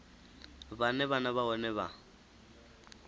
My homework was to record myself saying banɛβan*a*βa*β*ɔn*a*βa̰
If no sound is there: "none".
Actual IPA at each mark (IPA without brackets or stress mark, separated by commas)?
a, none, ɛ